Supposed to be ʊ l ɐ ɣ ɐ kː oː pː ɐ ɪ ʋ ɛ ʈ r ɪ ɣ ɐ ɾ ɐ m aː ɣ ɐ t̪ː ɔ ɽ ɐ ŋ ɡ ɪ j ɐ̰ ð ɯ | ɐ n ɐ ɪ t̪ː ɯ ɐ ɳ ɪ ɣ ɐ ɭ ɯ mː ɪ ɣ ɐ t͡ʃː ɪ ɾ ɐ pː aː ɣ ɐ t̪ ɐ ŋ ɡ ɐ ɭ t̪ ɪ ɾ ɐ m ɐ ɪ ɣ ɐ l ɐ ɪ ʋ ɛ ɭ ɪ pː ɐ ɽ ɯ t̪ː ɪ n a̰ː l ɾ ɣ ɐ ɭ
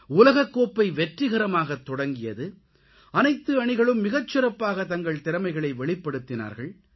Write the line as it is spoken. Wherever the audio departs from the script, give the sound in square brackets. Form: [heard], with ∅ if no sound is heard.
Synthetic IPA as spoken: ʊ l ɐ ɣ ɐ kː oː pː ɐ ɪ ʋ ɛ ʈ r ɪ ɣ ɐ ɾ ɐ m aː ɣ ɐ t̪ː ɔ ɽ ɐ ŋ ɡ ɪ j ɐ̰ ð ɯ | ɐ n ɐ ɪ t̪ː ɯ ɐ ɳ ɪ ɣ ɐ ɭ ɯ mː ɪ ɣ ɐ t͡ʃː ɪ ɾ ɐ pː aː ɣ ɐ t̪ ɐ ŋ ɡ ɐ ɭ t̪ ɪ ɾ ɐ m ɐ ɪ ɣ ɐ [ɭ] ɐ ɪ ʋ ɛ ɭ ɪ pː ɐ ɽ ɯ t̪ː ɪ n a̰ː [∅] ɾ ɣ ɐ ɭ